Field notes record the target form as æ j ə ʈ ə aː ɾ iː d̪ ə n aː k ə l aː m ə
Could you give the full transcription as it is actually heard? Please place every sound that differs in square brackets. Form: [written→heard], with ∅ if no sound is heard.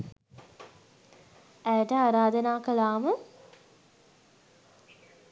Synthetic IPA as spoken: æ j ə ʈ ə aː ɾ [iː→aː] d̪ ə n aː k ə l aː m ə